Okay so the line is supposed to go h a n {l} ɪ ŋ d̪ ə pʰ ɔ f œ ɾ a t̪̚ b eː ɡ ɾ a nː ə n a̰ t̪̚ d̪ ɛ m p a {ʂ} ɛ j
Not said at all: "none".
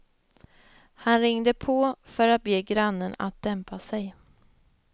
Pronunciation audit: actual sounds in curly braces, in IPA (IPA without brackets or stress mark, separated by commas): ɾ, s